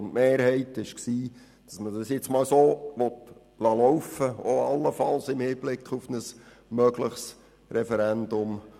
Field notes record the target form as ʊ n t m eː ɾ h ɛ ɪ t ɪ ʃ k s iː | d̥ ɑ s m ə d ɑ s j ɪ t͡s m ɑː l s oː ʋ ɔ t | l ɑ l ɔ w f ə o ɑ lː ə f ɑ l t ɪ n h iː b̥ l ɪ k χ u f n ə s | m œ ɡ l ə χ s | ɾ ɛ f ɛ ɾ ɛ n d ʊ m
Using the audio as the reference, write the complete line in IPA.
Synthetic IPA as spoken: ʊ n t m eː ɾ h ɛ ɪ t ɪ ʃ k s iː | d̥ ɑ s m ə d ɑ s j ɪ t͡s m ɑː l s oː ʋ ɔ t | l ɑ l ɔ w f ə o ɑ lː ə f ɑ l s ɪ m h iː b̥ l ɪ k χ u f n ə s | m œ ɡ l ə χ s | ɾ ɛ f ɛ ɾ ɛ n d ʊ m